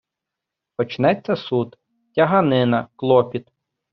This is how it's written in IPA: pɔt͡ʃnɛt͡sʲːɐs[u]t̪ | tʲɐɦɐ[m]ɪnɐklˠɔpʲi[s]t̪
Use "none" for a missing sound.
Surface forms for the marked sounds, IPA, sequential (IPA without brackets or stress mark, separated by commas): u, n, none